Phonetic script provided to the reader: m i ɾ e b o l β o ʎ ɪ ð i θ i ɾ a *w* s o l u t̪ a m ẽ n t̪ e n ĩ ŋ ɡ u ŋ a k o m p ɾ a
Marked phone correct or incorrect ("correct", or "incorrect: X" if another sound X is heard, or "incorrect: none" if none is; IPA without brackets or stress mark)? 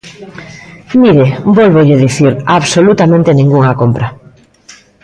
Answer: incorrect: β